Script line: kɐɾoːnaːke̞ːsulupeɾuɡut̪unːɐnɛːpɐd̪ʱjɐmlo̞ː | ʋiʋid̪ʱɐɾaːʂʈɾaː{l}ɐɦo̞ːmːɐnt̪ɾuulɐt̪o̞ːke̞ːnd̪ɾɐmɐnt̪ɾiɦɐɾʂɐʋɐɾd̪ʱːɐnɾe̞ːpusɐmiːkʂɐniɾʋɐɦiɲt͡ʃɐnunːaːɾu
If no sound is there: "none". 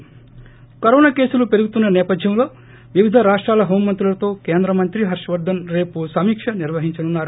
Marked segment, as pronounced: l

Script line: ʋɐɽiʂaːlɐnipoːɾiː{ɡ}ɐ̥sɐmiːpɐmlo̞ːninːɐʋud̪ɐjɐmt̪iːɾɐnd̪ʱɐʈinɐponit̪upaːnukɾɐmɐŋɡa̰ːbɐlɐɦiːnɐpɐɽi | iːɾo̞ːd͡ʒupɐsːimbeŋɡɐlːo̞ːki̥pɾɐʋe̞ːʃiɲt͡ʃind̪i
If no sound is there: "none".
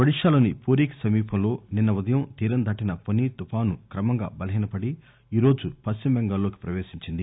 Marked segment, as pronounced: k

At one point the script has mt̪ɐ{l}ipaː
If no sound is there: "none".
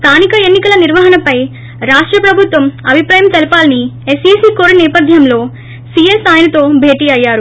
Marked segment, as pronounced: l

